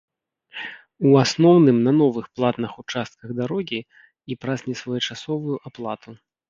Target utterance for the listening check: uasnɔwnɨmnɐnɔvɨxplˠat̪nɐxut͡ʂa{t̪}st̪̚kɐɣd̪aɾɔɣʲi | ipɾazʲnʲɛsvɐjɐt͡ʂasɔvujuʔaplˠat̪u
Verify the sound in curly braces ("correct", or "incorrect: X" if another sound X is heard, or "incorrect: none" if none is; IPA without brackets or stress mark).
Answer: incorrect: none